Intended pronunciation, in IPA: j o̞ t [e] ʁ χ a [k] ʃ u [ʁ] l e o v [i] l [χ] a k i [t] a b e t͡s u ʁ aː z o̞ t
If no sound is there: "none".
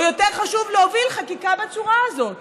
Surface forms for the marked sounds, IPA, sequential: e, none, v, i, χ, k

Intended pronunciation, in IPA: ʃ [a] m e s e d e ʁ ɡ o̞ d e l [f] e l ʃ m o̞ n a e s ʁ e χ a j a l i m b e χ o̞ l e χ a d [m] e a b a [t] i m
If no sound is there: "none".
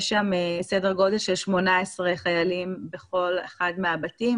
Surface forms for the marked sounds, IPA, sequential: a, ʃ, m, t

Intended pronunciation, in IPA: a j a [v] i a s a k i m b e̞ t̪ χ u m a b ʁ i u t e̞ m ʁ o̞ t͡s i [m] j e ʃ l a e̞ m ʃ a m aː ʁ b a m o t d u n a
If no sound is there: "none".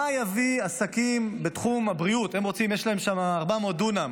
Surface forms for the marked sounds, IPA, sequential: v, m

